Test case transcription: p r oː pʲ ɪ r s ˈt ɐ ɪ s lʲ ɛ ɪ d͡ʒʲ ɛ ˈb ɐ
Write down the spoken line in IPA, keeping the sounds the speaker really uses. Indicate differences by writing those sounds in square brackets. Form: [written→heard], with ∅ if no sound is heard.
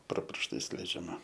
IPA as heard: p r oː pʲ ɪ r [s→ʃ] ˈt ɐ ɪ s lʲ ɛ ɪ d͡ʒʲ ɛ [ˈb→ˈm] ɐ